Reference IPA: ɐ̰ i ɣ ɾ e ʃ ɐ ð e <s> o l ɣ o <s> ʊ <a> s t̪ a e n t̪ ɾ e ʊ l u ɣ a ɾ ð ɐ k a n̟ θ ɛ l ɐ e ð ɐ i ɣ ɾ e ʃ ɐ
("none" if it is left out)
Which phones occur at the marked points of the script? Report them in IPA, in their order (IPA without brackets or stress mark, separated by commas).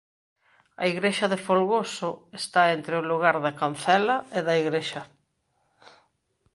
f, s, e